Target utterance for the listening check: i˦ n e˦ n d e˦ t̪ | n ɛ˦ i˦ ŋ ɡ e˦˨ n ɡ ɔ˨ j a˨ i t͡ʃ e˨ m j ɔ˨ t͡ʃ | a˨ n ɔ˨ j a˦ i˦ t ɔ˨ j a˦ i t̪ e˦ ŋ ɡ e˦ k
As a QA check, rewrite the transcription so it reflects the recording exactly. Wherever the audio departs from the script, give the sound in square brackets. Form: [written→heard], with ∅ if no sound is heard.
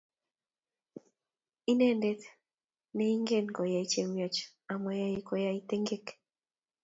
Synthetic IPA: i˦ n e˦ n d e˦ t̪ | n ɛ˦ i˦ ŋ ɡ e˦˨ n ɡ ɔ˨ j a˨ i t͡ʃ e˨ m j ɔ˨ t͡ʃ | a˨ [n→m] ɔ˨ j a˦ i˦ [t→k] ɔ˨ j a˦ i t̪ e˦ ŋ ɡ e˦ k